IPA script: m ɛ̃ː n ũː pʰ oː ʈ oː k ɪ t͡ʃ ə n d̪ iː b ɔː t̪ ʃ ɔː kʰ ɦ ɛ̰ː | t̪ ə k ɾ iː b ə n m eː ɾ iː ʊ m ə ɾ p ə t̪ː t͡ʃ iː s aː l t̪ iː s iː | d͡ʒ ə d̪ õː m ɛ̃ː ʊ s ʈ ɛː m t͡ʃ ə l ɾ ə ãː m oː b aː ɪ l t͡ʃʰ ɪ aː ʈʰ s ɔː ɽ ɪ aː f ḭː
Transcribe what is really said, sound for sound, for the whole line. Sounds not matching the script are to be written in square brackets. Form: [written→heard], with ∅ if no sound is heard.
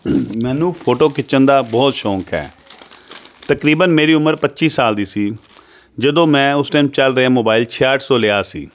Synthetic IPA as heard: m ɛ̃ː n ũː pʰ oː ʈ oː k ɪ t͡ʃ ə n d̪ [iː→aː] b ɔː t̪ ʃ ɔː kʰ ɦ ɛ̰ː | t̪ ə k ɾ iː b ə n m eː ɾ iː ʊ m ə ɾ p ə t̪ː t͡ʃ iː s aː l [t̪→d̪] iː s iː | d͡ʒ ə d̪ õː m ɛ̃ː ʊ s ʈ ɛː m t͡ʃ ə l ɾ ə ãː m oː b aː ɪ l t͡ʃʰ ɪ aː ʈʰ s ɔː [ɽ→l] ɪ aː [f→s] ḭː